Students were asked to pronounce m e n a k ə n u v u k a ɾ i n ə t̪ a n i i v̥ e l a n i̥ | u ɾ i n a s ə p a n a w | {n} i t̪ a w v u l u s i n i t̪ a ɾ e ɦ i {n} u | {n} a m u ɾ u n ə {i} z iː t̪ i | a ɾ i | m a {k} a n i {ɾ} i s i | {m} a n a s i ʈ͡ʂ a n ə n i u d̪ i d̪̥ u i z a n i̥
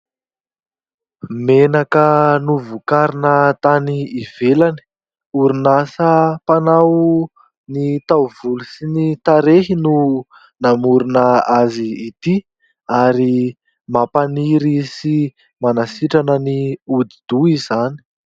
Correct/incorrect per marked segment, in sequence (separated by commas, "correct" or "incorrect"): correct, correct, correct, incorrect, incorrect, correct, correct